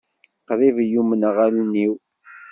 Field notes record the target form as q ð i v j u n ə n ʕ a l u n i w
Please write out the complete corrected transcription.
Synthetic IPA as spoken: q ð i v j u m ə n ʁ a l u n i w

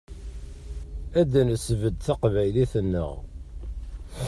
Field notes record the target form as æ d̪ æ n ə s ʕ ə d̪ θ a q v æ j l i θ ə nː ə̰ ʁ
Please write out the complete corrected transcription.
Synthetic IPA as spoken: æ d̪ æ n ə s v ə d̪ θ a q v æ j l i θ ə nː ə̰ ʁ

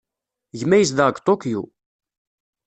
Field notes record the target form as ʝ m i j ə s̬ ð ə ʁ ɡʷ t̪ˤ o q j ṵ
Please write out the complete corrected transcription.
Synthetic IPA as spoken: ʝ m æ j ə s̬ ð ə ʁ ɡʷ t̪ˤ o k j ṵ

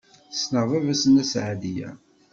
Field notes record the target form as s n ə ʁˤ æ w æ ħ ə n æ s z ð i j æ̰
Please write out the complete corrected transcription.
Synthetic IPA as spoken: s n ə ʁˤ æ v æ s ə n æ s ʕ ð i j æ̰

